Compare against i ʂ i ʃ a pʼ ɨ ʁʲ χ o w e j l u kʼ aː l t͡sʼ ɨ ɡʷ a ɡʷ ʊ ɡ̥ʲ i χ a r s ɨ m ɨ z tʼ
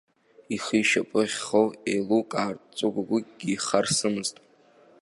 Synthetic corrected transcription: i χ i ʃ a pʼ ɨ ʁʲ χ o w e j l u kʼ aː r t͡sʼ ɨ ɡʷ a ɡʷ ʊ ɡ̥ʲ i χ a r s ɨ m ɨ z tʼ